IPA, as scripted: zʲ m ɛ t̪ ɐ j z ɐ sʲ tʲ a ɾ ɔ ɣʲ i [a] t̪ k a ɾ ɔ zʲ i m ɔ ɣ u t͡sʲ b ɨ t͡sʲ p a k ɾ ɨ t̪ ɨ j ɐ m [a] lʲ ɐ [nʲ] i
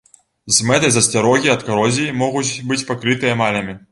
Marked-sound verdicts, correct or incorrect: incorrect, correct, incorrect

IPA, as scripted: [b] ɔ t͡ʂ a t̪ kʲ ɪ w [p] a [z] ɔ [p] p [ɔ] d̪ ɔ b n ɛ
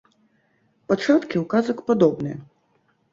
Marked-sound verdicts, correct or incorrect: incorrect, incorrect, correct, incorrect, correct

